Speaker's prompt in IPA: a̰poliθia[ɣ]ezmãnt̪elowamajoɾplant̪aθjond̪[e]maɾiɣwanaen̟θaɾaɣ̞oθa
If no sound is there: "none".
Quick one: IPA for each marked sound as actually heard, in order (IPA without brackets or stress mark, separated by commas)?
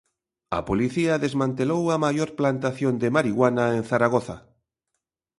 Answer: ð, e